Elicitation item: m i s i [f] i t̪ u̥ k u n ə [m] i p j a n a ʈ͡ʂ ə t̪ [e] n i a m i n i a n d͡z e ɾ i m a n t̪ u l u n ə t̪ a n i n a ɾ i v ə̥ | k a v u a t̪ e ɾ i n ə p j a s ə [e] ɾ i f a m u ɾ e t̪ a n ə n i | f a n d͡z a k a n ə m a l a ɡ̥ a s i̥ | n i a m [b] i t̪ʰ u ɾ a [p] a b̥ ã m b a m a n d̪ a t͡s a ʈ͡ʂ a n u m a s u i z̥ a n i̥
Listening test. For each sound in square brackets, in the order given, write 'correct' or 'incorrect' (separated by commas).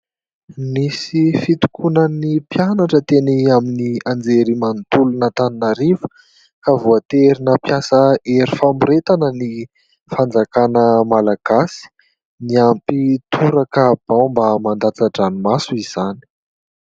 correct, incorrect, correct, correct, incorrect, incorrect